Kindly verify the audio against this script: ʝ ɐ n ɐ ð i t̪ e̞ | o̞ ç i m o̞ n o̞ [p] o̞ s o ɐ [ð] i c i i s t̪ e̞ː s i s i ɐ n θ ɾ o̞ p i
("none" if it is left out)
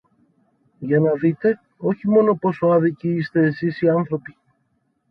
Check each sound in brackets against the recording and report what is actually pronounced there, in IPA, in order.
p, ð

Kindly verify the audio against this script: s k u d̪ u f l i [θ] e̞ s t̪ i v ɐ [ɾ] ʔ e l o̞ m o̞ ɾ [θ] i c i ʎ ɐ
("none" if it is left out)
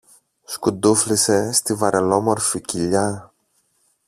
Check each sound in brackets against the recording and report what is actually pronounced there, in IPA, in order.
s, ɾ, f

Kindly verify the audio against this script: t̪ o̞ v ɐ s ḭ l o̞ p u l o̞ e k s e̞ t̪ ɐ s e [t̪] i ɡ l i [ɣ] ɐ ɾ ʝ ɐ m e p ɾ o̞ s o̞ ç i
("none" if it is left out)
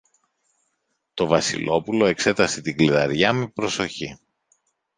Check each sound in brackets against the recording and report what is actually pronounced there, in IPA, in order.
t̪, ð

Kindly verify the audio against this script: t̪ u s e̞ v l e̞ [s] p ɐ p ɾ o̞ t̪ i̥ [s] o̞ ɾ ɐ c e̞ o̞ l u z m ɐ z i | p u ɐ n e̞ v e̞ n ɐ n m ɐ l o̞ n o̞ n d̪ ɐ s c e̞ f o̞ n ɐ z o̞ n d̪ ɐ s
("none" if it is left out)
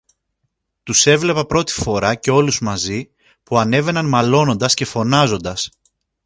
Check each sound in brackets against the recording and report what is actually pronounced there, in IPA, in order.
none, f

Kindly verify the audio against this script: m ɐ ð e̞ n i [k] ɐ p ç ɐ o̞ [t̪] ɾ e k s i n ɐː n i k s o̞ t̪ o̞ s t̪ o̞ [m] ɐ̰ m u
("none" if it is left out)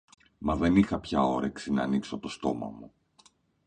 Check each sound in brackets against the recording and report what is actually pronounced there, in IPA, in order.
x, none, m

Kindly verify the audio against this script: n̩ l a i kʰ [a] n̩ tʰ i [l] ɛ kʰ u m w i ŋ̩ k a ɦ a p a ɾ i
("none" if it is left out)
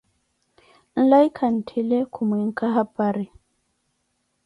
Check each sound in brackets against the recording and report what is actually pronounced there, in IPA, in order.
a, l

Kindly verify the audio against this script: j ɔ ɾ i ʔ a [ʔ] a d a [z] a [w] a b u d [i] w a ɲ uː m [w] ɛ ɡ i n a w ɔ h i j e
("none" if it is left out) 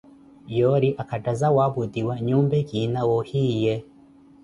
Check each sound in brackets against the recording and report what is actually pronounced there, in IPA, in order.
k, z, w, i, b

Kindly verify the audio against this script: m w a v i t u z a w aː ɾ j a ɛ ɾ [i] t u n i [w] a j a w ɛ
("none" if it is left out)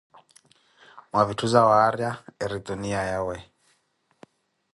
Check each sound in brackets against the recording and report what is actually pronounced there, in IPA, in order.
i, none

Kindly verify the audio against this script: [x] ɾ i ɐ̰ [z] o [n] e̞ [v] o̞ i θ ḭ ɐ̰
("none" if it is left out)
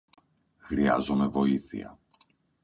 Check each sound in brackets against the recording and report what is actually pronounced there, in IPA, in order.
x, z, m, v

